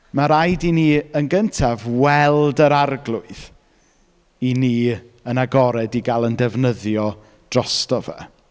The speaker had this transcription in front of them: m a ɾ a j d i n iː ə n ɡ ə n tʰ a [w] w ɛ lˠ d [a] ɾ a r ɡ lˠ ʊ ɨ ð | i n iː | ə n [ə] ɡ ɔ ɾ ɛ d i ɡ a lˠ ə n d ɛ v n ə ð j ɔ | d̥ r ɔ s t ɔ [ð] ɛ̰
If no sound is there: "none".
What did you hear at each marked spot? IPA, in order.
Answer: v, ə, a, v

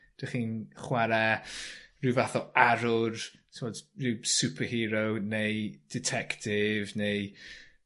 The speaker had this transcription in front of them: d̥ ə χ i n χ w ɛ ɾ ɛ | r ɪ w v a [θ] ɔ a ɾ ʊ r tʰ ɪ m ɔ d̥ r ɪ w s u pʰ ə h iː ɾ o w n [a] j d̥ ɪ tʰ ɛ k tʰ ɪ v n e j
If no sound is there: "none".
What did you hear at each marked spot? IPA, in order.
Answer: θ, e

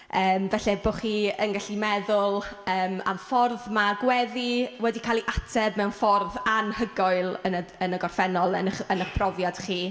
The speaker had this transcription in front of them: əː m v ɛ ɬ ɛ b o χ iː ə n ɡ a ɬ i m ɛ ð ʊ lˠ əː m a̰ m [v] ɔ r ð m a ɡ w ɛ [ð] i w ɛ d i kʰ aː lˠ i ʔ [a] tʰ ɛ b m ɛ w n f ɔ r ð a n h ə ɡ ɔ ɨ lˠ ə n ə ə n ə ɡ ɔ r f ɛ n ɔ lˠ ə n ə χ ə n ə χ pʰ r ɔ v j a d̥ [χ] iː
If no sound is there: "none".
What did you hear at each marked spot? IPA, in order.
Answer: f, ð, a, χ

